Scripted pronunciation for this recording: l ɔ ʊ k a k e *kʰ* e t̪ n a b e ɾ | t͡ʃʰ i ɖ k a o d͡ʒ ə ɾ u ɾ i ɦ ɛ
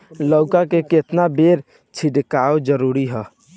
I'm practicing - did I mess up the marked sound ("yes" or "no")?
yes